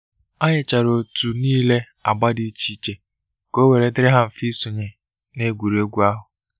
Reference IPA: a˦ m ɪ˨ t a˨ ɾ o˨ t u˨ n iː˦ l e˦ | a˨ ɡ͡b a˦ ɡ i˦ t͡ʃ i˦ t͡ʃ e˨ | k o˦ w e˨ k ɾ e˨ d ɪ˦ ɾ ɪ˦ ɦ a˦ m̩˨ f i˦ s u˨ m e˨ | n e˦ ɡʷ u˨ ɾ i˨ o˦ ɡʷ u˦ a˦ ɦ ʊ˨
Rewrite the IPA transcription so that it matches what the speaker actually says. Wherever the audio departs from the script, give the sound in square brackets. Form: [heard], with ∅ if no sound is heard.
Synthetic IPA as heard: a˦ [ɲ] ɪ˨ [t͡ʃ] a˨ ɾ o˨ t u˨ n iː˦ l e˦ | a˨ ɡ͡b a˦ [d] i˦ t͡ʃ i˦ t͡ʃ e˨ | k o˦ w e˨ [∅] ɾ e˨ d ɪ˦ ɾ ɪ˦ ɦ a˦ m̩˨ f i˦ s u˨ [ɲ] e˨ | n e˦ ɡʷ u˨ ɾ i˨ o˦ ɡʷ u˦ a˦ ɦ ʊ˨